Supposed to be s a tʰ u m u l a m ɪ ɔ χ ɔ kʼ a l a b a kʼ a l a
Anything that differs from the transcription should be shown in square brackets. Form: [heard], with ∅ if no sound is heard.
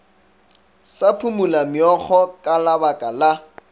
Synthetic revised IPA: s a [pʰ] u m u l a m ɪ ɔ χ ɔ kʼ a l a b a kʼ a l a